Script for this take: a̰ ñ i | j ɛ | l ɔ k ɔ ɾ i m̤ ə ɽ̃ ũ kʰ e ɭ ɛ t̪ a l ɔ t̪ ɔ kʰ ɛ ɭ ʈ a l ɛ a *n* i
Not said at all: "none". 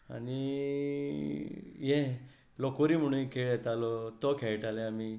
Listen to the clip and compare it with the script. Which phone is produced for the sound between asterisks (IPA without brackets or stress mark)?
m